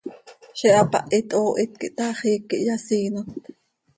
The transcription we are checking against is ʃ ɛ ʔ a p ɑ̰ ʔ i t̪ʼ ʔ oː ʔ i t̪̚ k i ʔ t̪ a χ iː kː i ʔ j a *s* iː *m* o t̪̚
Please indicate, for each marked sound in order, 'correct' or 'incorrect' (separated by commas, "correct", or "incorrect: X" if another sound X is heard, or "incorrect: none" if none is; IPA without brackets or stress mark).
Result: correct, incorrect: n